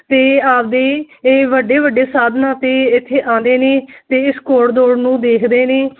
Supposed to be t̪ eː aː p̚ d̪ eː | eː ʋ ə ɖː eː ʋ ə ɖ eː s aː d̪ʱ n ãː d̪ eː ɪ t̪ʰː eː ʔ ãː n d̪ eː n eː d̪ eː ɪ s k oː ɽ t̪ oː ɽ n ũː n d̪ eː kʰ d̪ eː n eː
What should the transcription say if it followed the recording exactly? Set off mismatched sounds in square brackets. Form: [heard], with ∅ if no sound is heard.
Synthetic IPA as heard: t̪ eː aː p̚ d̪ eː | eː ʋ ə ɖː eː ʋ ə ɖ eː s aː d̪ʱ n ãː [t̪] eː ɪ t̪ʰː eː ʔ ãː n d̪ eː n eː [t̪] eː ɪ s k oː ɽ [d̪] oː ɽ n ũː [∅] d̪ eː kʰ d̪ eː n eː